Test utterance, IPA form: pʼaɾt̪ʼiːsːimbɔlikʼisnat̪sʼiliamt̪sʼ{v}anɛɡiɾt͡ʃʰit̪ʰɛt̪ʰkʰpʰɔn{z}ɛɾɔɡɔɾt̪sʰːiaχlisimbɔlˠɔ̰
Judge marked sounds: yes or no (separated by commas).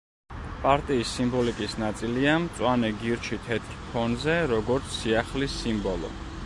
no, yes